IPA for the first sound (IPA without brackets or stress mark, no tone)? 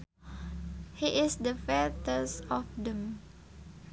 h